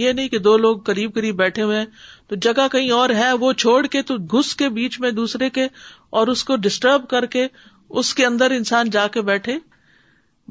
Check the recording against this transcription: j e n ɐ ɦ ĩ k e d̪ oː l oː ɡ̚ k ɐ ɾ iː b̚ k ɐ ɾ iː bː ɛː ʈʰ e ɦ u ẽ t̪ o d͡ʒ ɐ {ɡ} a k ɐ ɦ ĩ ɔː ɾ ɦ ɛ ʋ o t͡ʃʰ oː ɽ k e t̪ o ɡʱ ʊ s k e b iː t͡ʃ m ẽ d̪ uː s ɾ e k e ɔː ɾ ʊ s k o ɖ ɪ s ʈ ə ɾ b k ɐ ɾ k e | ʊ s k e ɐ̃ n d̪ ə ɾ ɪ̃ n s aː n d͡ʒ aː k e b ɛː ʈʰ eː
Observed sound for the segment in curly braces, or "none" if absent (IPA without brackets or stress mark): ɡ